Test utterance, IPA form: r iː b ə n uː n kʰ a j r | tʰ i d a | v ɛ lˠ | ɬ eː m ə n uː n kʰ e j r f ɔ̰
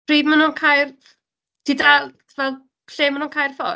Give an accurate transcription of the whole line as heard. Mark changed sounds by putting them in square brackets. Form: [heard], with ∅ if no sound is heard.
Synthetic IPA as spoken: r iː [m] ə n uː n kʰ a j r | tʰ i d a | v ɛ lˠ | ɬ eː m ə n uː n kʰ [a] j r f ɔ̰